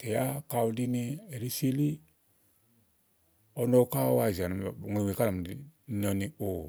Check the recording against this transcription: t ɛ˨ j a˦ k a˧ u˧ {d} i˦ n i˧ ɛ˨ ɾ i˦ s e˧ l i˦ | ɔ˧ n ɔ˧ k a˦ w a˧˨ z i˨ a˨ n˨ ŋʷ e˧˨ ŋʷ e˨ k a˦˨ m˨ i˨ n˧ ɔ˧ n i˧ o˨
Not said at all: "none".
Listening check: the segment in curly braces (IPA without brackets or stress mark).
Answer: d